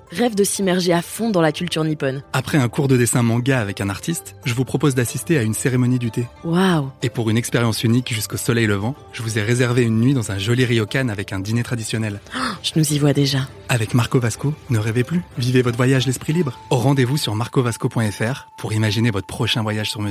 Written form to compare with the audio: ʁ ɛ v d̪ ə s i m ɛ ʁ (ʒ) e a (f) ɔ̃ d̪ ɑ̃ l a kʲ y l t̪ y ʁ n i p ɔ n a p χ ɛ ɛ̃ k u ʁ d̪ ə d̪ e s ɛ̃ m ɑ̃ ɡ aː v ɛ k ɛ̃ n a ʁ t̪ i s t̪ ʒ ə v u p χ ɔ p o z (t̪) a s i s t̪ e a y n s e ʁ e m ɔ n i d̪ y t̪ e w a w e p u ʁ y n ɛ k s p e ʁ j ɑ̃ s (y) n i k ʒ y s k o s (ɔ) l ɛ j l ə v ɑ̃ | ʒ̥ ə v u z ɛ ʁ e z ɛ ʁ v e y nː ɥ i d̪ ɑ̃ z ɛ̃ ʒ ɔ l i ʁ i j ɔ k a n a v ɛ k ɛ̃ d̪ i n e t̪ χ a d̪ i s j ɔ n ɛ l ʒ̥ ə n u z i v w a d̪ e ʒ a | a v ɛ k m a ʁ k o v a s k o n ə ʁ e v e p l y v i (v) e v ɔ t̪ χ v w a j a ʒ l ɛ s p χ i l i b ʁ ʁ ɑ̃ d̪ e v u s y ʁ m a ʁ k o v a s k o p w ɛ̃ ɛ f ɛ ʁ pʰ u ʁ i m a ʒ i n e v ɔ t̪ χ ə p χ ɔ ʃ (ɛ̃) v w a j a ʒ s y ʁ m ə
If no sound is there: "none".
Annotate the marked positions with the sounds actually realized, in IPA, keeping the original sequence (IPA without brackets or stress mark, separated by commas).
ʒ, f, d̪, y, ɔ, v, ɛ̃